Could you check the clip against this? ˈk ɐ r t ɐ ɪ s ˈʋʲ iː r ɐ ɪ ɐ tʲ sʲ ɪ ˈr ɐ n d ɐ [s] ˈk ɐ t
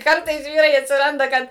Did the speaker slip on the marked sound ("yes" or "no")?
yes